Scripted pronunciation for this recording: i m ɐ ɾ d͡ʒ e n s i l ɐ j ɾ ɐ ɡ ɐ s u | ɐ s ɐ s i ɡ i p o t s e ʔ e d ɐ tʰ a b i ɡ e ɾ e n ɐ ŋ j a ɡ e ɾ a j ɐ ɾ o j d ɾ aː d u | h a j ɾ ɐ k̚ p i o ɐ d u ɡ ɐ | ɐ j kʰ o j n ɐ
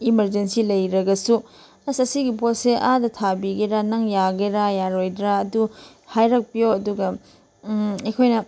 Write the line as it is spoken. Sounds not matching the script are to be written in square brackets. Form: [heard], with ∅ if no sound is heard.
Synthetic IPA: i m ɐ ɾ d͡ʒ e n s i l ɐ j ɾ ɐ ɡ ɐ s u | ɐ s ɐ s i ɡ i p o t s e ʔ [a] d ɐ tʰ a b i ɡ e ɾ [a] n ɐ ŋ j a ɡ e ɾ a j [a] ɾ o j d ɾ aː d u | h a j ɾ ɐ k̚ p i o ɐ d u ɡ ɐ | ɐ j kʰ o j n ɐ